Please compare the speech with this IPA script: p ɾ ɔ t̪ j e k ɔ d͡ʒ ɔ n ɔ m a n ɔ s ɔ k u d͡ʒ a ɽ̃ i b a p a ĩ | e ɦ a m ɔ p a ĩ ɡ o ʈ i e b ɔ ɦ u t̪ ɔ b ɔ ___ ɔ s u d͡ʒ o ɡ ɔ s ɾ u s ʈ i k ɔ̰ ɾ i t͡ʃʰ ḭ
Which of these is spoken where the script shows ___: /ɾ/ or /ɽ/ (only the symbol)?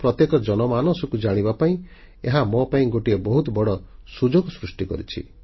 ɽ